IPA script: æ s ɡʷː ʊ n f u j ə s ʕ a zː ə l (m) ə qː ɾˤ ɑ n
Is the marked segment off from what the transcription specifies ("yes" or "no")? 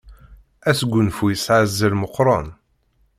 no